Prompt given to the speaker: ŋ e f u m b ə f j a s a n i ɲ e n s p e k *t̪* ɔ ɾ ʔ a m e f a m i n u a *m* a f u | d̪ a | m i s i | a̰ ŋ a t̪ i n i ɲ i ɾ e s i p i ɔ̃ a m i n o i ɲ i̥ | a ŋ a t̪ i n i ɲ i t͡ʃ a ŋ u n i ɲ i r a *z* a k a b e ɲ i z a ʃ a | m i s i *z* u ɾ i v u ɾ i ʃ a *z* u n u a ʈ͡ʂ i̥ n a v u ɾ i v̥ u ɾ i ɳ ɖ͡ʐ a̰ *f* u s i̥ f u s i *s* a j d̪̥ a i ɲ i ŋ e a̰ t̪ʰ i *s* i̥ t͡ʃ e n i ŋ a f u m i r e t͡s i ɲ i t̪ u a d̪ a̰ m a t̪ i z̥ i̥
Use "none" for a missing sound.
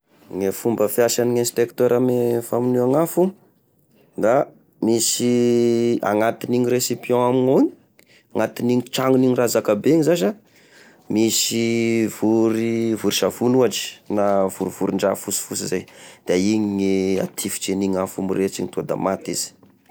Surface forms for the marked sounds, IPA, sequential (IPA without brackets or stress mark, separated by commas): t̪, ŋ, z, v, v, f, z, f